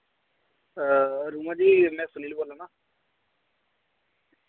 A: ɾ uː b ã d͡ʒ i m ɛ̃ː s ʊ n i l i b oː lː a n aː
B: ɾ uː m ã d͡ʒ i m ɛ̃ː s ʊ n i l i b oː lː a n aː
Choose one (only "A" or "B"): B